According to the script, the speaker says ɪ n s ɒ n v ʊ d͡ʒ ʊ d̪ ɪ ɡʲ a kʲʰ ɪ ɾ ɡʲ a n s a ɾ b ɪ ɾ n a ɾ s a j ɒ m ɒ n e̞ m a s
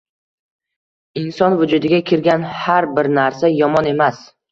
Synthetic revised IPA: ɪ n s ɒ n v ʊ d͡ʒ ʊ d̪ ɪ ɡʲ a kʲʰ ɪ ɾ ɡʲ a n h a ɾ b ɪ ɾ n a ɾ s a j ɒ m ɒ n e̞ m a s